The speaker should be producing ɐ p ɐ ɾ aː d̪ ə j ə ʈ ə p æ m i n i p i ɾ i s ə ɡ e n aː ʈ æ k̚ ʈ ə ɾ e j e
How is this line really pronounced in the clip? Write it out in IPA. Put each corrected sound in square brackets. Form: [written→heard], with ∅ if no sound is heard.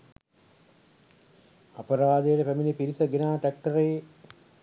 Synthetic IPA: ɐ p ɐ ɾ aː d̪ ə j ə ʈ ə p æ m i n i p i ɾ i s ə ɡ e n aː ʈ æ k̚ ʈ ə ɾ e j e